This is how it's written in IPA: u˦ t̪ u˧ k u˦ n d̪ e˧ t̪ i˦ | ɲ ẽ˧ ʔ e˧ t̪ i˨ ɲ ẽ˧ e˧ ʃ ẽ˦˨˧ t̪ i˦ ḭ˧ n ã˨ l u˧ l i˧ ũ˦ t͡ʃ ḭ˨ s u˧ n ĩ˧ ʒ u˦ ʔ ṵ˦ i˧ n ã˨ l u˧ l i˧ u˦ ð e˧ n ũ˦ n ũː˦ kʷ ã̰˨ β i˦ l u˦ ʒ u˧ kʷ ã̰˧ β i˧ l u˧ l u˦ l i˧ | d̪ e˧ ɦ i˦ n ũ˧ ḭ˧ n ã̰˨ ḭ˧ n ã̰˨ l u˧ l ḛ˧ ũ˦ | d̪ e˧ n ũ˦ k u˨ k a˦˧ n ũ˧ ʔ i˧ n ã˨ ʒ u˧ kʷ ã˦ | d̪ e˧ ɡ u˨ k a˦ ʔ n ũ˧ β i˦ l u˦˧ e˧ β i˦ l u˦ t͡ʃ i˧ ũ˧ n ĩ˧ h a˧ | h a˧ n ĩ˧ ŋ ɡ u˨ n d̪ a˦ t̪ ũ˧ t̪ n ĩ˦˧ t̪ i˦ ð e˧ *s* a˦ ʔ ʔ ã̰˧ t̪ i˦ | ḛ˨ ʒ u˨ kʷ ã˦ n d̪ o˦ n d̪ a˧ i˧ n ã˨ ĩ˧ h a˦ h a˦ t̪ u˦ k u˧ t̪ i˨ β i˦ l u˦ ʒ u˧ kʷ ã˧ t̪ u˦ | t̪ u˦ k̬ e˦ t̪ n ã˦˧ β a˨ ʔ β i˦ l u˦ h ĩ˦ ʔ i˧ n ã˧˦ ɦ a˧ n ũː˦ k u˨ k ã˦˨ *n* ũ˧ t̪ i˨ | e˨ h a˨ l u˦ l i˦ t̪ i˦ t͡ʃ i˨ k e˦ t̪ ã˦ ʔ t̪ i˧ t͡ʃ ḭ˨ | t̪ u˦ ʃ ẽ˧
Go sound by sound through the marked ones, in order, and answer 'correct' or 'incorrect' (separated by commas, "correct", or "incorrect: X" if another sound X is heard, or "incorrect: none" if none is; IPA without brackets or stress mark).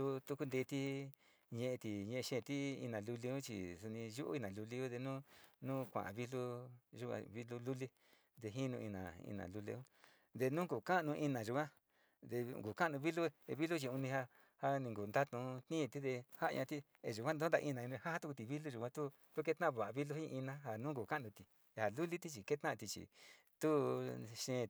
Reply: incorrect: h, correct